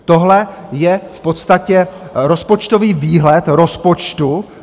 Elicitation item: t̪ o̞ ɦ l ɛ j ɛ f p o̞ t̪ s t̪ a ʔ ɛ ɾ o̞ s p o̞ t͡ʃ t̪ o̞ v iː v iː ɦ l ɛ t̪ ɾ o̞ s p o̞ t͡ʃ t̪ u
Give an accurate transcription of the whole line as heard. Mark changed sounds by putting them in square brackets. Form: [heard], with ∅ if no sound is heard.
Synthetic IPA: t̪ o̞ ɦ l ɛ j ɛ f p o̞ t̪ s t̪ a [c] ɛ ɾ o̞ s p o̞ t͡ʃ t̪ o̞ v iː v iː ɦ l ɛ t̪ ɾ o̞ s p o̞ t͡ʃ t̪ u